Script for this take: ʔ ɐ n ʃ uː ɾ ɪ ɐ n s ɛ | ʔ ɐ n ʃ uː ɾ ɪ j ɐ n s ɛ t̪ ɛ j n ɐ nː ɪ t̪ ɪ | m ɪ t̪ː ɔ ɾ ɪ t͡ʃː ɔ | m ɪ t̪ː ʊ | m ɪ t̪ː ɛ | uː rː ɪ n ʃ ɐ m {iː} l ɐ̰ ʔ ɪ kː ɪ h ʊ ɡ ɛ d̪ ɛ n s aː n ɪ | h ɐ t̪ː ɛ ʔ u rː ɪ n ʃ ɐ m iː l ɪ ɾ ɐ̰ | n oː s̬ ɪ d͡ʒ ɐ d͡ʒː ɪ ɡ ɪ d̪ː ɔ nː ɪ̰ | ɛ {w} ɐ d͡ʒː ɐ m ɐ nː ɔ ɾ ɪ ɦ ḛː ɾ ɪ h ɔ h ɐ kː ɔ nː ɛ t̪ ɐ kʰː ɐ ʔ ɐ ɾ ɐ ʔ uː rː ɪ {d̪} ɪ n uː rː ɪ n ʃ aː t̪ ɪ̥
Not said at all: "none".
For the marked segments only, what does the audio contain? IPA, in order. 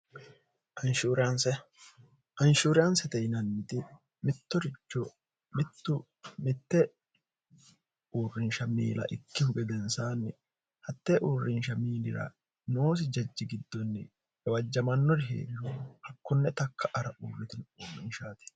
iː, w, t̪

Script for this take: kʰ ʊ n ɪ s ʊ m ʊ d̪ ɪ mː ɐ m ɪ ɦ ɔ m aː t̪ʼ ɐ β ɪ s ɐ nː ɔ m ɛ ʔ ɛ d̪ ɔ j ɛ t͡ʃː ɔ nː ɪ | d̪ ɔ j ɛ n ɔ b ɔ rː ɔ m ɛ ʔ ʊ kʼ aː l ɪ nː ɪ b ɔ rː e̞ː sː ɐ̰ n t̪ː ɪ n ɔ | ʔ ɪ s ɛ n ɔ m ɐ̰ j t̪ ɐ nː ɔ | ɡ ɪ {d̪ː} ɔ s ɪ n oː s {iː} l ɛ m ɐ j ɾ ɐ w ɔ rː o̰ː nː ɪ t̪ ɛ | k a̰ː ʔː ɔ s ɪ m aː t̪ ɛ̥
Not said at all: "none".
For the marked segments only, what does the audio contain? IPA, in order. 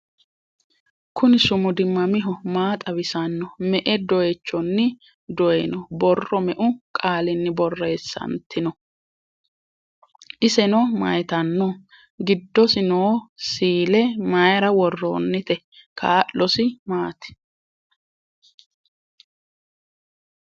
d̪ː, iː

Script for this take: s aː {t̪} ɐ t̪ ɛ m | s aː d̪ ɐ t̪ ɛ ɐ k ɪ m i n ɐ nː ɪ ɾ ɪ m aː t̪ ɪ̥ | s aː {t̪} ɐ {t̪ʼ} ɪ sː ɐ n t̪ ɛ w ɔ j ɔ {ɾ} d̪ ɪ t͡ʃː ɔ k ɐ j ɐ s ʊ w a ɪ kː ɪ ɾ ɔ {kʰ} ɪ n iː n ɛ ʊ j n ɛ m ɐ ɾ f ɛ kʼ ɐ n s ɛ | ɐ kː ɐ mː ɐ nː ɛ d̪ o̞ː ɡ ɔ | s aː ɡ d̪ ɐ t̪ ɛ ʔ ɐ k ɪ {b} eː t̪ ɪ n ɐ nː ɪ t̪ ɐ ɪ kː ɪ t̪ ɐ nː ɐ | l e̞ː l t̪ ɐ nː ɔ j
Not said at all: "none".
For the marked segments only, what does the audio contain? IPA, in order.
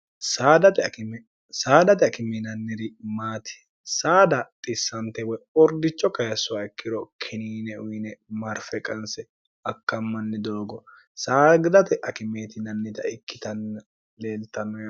d̪, d̪, t̪ʼ, ɾ, kʰ, m

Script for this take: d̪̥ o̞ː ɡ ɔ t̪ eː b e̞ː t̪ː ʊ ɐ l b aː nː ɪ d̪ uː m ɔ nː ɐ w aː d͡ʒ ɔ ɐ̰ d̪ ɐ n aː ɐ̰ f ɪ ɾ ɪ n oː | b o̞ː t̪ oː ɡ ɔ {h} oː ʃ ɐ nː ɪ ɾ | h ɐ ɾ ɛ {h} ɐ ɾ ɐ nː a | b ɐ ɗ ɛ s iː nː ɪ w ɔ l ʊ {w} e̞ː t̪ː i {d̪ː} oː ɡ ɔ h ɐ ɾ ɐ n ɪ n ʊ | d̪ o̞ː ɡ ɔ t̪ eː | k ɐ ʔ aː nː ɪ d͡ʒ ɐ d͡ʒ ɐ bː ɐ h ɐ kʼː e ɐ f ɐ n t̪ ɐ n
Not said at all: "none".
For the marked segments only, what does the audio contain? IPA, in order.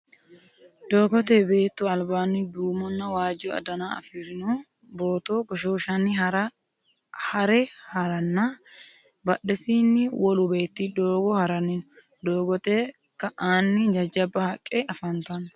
ʃ, h, b, d̪

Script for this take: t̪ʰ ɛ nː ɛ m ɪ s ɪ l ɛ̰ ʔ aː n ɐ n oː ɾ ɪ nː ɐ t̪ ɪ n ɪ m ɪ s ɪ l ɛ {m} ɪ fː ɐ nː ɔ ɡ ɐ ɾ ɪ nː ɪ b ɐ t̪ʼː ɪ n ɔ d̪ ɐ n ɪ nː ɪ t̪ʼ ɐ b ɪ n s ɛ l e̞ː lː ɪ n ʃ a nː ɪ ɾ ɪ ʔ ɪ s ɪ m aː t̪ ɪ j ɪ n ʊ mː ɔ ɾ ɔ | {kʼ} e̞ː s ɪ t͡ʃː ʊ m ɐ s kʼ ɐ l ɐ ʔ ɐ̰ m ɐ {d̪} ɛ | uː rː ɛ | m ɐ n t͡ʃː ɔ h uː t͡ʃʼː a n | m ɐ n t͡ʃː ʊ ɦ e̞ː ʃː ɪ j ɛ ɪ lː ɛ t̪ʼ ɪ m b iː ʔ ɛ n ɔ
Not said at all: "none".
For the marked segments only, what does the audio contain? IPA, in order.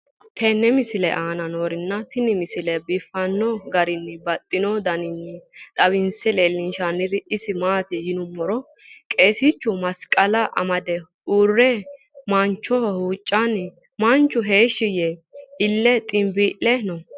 b, kʼ, d̪

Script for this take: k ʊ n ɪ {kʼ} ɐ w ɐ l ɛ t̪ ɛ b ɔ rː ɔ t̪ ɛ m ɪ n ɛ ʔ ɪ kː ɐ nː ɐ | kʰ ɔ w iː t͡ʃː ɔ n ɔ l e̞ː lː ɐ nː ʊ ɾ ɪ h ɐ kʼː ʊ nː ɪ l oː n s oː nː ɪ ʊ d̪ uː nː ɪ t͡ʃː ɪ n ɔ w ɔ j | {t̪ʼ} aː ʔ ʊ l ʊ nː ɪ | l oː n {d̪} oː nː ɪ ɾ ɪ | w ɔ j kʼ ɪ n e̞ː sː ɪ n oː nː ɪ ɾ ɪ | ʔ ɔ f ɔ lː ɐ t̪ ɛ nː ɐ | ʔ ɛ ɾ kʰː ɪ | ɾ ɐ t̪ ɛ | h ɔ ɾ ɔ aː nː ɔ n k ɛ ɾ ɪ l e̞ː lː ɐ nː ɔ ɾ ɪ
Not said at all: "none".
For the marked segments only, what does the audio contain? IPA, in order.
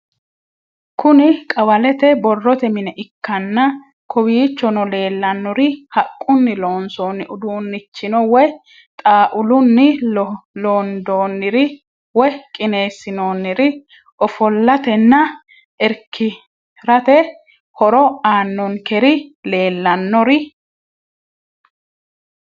kʼ, t̪ʼ, d̪

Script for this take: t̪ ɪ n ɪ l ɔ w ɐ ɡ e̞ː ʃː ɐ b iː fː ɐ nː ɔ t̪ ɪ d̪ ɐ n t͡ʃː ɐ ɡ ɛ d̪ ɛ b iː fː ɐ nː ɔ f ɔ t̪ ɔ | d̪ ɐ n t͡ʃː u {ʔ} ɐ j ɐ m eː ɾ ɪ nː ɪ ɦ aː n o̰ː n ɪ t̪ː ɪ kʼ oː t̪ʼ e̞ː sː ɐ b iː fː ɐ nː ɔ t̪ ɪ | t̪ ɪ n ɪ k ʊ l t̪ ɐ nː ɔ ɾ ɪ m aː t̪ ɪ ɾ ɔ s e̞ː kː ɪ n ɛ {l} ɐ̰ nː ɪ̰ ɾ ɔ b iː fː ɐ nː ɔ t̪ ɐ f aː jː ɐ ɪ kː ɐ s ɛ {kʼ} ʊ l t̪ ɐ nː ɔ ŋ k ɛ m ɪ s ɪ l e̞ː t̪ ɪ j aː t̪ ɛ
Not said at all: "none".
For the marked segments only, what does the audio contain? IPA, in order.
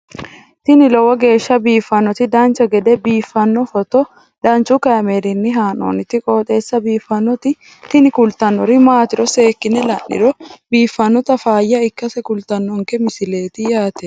k, l, k

